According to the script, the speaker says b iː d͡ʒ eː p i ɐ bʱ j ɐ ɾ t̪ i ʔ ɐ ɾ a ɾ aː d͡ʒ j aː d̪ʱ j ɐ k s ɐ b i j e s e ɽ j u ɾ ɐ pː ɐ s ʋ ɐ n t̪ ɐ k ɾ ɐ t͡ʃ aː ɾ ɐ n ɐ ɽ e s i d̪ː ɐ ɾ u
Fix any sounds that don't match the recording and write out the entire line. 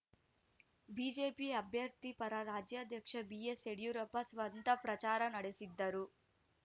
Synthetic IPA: b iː d͡ʒ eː p i ɐ bʱ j ɐ ɾ t̪ i p ɐ ɾ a ɾ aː d͡ʒ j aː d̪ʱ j ɐ k ʂ ɐ b i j e s e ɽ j u ɾ ɐ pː ɐ s ʋ ɐ n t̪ ɐ p ɾ ɐ t͡ʃ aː ɾ ɐ n ɐ ɽ e s i d̪ː ɐ ɾ u

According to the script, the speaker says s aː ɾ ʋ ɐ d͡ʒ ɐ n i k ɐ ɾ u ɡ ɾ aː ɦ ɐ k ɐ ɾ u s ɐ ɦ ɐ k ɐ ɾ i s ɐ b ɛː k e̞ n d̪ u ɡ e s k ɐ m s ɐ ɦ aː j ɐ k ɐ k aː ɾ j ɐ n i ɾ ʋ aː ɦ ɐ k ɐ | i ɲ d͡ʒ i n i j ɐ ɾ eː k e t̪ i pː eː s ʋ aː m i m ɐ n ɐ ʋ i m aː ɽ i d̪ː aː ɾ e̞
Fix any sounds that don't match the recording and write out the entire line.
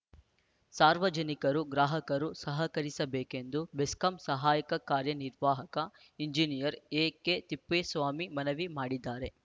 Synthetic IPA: s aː ɾ ʋ ɐ d͡ʒ ɐ n i k ɐ ɾ u ɡ ɾ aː ɦ ɐ k ɐ ɾ u s ɐ ɦ ɐ k ɐ ɾ i s ɐ b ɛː k e̞ n d̪ u b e s k ɐ m s ɐ ɦ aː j ɐ k ɐ k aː ɾ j ɐ n i ɾ ʋ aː ɦ ɐ k ɐ | i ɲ d͡ʒ i n i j ɐ ɾ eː k e t̪ i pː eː s ʋ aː m i m ɐ n ɐ ʋ i m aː ɽ i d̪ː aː ɾ e̞

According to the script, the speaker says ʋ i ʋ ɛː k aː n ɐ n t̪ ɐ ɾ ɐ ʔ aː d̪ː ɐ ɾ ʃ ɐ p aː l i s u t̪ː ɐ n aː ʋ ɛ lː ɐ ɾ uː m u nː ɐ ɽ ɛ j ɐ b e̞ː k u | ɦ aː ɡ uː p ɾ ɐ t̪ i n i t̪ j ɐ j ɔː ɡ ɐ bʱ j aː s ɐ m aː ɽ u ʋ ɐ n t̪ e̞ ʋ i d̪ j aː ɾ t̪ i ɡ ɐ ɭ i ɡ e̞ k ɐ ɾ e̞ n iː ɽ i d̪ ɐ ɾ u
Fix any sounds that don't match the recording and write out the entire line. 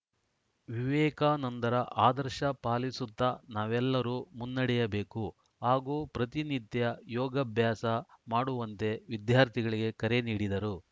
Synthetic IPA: ʋ i ʋ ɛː k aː n ɐ n t̪ ɐ ɾ ɐ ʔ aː d̪ ɐ ɾ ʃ ɐ p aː l i s u t̪ː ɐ n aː ʋ ɛ lː ɐ ɾ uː m u nː ɐ ɽ ɛ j ɐ b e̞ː k u | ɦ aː ɡ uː p ɾ ɐ t̪ i n i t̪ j ɐ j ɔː ɡ ɐ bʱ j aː s ɐ m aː ɽ u ʋ ɐ n t̪ e̞ ʋ i d̪ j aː ɾ t̪ i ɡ ɐ ɭ i ɡ e̞ k ɐ ɾ e̞ n iː ɽ i d̪ ɐ ɾ u

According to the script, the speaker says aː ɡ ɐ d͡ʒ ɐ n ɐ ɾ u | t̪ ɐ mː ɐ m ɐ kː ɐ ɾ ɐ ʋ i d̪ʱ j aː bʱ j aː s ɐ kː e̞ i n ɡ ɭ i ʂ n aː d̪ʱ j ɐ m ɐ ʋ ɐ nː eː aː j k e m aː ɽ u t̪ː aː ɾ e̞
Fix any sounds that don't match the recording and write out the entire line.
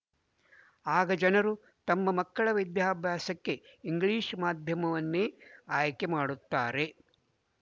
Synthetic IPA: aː ɡ ɐ d͡ʒ ɐ n ɐ ɾ u | t̪ ɐ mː ɐ m ɐ kː ɐ ɭ ɐ ʋ i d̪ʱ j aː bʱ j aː s ɐ kː e̞ i ŋ ɡ ɭ iː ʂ m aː d̪ʱ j ɐ m ɐ ʋ ɐ nː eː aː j k e m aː ɽ u t̪ː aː ɾ e̞

